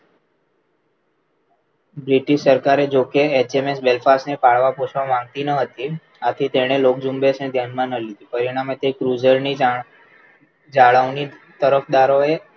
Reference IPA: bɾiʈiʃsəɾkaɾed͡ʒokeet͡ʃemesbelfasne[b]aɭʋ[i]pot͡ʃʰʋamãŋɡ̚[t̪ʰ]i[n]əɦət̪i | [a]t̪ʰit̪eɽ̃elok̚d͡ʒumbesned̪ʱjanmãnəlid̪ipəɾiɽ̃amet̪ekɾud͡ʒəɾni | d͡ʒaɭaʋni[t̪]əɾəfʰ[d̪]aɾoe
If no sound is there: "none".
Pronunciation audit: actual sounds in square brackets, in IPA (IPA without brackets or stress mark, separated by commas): p, a, t̪, n, a, t̪, d̪